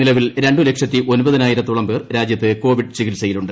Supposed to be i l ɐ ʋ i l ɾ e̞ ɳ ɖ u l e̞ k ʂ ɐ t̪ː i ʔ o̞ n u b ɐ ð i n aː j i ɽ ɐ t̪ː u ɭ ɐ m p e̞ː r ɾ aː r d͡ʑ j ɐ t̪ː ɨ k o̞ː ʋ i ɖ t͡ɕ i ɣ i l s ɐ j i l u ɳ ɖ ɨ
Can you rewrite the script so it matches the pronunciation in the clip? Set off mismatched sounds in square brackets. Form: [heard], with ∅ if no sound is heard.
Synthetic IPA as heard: i l ɐ ʋ i l ɾ e̞ ɳ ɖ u l e̞ k ʂ ɐ t̪ː i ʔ o̞ n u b ɐ ð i n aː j i [ɾ] ɐ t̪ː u ɭ ɐ m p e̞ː r ɾ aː [∅] d͡ʑ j ɐ t̪ː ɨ k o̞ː ʋ i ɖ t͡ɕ i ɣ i l s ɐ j i l u ɳ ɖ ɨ